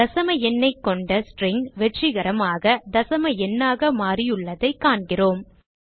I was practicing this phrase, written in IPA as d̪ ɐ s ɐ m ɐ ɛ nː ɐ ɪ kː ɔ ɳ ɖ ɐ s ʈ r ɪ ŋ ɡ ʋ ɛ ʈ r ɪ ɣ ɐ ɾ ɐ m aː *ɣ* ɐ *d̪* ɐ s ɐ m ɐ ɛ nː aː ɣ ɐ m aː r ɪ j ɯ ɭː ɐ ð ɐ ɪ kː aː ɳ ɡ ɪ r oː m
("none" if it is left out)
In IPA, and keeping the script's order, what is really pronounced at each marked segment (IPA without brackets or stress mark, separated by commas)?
ɣ, d̪